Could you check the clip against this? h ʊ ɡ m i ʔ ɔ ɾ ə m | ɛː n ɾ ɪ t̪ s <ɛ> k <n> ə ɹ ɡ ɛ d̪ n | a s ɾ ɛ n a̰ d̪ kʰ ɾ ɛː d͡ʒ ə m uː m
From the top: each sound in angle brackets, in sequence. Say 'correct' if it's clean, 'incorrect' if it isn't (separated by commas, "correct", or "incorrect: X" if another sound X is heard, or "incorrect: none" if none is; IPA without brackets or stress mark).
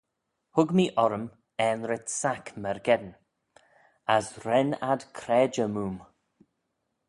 incorrect: a, incorrect: m